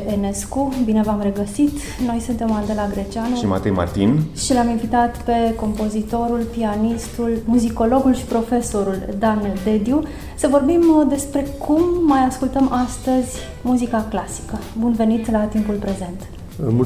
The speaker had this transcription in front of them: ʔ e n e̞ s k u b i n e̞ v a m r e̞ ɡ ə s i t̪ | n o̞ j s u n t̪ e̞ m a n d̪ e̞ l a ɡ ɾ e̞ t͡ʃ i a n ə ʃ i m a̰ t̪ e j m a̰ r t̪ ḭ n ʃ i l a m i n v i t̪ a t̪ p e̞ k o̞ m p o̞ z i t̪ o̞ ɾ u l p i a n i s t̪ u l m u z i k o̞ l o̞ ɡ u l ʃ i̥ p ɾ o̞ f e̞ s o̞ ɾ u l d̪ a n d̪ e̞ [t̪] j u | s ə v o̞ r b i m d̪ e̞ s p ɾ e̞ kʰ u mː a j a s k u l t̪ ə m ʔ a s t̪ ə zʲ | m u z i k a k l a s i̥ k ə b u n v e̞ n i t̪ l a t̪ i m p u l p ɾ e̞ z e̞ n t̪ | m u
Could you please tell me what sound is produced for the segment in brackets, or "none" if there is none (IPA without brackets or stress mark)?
d̪